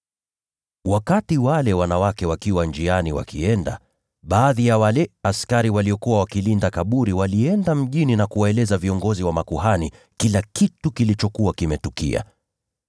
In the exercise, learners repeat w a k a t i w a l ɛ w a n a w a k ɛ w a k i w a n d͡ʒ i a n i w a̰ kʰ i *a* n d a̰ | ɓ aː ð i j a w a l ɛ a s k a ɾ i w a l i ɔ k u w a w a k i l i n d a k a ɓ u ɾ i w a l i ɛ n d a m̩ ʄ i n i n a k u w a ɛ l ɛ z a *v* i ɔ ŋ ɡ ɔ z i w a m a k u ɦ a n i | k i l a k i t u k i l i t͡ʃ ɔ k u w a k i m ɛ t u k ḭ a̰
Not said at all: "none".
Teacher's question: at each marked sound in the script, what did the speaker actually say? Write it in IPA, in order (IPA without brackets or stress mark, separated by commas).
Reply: ɛ, v